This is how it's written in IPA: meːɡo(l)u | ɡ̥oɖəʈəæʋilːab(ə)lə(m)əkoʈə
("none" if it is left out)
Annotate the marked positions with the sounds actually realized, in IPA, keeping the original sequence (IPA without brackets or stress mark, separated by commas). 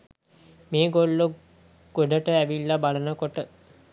lː, a, n